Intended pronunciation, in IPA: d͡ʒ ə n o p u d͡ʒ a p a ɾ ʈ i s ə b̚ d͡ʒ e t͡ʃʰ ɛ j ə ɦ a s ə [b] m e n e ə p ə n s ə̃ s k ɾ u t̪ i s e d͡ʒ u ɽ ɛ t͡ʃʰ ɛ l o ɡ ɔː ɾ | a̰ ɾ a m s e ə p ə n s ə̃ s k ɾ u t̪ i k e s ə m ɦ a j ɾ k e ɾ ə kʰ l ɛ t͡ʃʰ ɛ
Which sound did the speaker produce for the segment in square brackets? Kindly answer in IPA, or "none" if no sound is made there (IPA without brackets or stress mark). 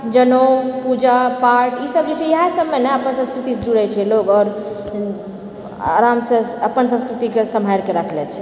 b